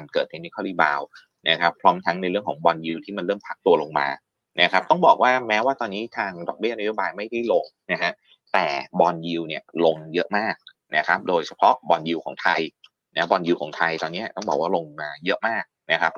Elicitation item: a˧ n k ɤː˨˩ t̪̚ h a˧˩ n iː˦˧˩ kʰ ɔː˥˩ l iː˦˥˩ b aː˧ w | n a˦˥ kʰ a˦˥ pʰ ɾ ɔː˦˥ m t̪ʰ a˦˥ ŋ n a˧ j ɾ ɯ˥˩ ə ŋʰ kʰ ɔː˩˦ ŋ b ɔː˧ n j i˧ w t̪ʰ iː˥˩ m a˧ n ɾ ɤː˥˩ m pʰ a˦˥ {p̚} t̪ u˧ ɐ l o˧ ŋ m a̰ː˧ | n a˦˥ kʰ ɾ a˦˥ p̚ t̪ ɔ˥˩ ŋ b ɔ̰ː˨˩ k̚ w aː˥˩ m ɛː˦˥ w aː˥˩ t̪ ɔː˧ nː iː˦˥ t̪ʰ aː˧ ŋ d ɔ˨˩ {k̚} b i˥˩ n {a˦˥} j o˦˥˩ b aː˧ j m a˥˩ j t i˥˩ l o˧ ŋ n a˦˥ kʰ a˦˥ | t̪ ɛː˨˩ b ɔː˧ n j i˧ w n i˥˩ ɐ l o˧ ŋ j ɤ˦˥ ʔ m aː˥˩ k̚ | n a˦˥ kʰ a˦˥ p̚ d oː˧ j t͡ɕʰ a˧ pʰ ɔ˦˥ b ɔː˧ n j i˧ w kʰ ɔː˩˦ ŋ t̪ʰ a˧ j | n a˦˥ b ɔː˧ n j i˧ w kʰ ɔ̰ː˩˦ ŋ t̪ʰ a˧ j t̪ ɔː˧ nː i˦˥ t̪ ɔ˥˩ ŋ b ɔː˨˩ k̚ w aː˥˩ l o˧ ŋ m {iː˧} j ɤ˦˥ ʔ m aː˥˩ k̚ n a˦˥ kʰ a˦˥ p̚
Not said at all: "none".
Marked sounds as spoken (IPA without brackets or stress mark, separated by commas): k̚, k̚, a˦˥, aː˧